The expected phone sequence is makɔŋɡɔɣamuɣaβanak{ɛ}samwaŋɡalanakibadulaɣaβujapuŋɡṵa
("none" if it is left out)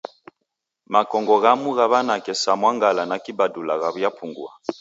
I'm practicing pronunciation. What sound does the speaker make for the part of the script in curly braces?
ɛ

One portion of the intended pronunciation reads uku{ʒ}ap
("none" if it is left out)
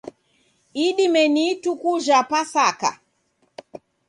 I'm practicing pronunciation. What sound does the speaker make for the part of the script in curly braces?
ʒ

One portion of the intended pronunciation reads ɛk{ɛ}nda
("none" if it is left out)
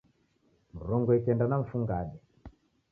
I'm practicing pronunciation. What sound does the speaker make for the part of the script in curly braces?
ɛ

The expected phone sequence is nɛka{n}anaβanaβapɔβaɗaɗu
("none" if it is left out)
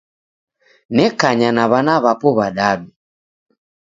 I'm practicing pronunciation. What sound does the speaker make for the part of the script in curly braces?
ɲ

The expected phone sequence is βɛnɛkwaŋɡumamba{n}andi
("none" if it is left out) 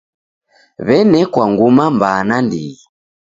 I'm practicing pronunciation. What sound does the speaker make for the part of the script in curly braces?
n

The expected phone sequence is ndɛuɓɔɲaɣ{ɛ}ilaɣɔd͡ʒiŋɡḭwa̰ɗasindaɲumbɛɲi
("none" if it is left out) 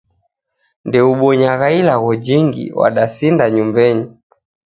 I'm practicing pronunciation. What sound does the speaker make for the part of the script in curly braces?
a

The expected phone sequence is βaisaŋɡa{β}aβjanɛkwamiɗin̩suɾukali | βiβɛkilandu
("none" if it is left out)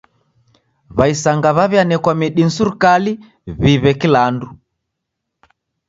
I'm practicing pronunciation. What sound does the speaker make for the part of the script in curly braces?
β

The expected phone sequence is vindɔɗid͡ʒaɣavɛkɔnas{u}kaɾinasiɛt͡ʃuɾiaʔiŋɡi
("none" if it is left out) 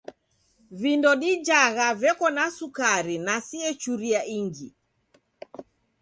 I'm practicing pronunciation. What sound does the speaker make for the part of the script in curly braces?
u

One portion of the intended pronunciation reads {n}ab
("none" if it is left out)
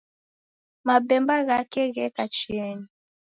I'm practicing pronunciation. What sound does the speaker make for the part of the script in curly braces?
m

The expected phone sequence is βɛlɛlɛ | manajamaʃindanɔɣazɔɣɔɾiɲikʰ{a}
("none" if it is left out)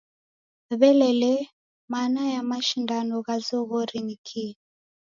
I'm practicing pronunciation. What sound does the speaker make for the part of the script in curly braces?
i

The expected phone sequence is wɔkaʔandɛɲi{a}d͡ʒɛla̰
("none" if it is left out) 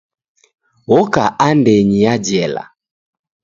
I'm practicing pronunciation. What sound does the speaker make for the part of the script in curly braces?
a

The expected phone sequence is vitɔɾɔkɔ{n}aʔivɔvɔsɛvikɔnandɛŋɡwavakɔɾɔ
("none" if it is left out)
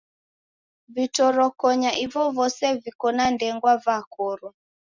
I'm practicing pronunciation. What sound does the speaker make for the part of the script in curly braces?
ɲ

